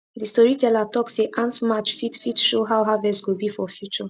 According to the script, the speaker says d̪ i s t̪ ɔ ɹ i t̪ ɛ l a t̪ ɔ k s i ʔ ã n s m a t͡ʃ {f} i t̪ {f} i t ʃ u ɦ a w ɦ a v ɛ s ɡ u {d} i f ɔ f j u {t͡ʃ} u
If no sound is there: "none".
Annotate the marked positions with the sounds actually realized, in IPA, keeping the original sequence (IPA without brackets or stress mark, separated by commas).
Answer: f, f, b, t͡ʃ